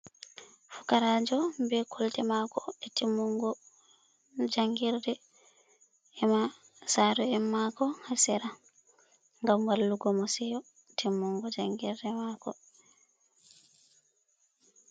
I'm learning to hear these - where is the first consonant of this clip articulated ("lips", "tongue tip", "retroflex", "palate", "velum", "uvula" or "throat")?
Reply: lips